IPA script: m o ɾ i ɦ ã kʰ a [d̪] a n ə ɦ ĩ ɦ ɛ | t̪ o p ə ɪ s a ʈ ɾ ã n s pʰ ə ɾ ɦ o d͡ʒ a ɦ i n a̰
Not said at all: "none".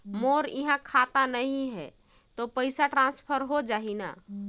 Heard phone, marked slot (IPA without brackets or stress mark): t̪